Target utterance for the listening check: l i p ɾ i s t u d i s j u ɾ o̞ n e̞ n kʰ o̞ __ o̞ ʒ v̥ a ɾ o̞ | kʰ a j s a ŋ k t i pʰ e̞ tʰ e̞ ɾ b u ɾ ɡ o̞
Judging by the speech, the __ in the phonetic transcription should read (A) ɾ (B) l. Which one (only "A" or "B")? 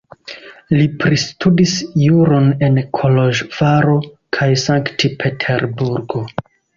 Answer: B